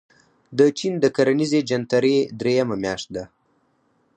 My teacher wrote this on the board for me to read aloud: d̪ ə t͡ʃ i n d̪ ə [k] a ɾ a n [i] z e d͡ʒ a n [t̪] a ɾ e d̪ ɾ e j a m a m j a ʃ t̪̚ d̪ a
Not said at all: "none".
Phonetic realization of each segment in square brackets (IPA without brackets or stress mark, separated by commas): k, i, t̪